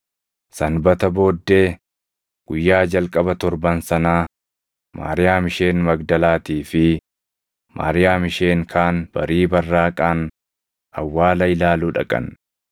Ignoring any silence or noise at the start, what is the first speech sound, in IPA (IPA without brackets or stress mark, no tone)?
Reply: s